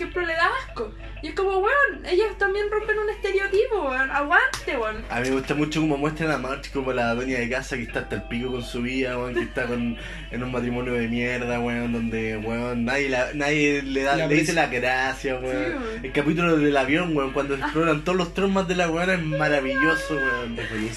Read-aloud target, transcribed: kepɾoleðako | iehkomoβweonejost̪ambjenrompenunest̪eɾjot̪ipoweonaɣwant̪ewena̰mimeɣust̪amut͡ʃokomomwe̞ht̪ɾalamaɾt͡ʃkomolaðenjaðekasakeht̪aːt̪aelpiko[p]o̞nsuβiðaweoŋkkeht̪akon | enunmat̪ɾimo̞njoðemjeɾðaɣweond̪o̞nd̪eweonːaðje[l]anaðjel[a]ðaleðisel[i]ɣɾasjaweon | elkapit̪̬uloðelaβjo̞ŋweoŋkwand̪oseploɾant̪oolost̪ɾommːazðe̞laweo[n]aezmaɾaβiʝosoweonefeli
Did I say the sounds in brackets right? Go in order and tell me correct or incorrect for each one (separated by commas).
incorrect, correct, incorrect, incorrect, correct